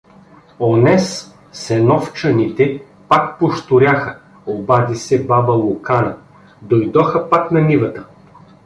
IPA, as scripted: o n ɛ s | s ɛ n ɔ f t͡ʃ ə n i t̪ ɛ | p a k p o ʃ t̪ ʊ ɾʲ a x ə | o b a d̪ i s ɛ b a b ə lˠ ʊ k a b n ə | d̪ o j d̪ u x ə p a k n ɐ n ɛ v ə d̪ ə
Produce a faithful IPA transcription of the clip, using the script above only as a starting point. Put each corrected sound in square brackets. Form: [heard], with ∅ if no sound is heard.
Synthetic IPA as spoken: o n ɛ s | s ɛ n ɔ f t͡ʃ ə n i t̪ ɛ | p a k p o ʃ t̪ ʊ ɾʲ a x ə | o b a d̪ i s ɛ b a b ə lˠ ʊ k a [∅] n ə | d̪ o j d̪ [ɔ] x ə p a k n ɐ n [i] v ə [t̪] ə